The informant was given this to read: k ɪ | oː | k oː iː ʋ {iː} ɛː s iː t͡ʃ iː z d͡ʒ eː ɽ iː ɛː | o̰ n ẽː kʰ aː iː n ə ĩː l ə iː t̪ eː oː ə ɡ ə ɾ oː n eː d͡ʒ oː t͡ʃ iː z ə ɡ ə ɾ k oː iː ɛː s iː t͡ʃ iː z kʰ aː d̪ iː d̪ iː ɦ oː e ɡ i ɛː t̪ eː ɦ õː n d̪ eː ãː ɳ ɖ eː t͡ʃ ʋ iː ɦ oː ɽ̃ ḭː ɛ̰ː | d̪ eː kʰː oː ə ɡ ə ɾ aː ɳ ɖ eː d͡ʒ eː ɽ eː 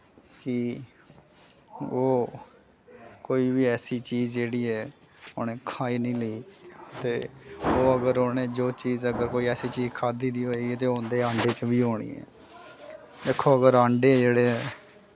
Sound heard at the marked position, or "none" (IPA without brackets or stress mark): iː